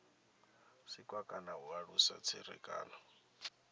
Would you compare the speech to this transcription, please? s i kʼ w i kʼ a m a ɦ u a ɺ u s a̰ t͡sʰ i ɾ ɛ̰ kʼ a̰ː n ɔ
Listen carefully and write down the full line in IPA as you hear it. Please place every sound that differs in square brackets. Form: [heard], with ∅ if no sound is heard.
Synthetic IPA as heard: s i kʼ w [a] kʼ a [n] a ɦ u a ɺ u s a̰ t͡sʰ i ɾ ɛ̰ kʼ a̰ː n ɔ

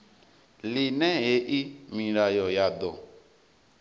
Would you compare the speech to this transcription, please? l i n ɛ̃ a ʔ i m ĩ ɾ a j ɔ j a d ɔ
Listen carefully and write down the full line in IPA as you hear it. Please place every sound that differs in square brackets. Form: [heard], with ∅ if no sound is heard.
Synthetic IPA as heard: l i n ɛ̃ [e] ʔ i m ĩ ɾ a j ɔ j a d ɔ

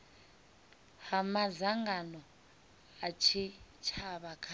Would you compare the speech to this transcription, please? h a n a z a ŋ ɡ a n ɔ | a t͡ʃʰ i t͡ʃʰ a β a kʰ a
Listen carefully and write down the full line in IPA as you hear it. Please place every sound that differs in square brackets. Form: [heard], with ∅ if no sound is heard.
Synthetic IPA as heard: h a [m] a z a ŋ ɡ a n ɔ | a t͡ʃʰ i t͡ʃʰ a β a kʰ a

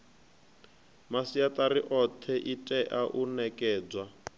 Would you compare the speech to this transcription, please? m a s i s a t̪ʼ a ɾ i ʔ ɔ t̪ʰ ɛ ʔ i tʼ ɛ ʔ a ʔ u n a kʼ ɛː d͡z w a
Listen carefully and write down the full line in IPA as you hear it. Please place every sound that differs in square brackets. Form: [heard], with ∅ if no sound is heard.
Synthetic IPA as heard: m a s i [∅] a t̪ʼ a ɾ i ʔ ɔ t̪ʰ ɛ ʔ i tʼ ɛ ʔ a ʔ u n [ɛ] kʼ ɛː d͡z w a

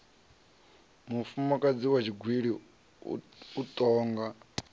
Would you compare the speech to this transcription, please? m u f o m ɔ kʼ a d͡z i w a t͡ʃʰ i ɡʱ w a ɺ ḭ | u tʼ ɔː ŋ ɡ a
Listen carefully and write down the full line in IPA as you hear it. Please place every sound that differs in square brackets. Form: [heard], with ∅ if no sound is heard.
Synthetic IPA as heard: m u f [u] m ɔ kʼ a d͡z i w a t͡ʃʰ i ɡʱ w [i] ɺ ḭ | u tʼ ɔː ŋ ɡ a

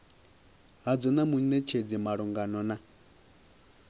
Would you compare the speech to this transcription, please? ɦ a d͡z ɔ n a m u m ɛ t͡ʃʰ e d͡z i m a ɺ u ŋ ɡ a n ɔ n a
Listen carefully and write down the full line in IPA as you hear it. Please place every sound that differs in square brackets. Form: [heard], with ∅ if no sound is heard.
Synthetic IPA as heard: ɦ a d͡z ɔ n a m u [n] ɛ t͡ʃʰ e d͡z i m a ɺ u ŋ ɡ a n ɔ n a

